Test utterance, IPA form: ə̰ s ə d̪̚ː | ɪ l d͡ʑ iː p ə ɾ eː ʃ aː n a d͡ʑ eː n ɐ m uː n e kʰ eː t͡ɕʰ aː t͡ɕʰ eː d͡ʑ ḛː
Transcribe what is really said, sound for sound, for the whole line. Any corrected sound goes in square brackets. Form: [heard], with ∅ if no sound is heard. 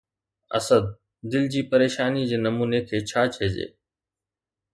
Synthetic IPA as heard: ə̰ s ə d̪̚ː | ɪ l d͡ʑ iː p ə ɾ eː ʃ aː n [i] d͡ʑ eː n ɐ m uː n e kʰ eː t͡ɕʰ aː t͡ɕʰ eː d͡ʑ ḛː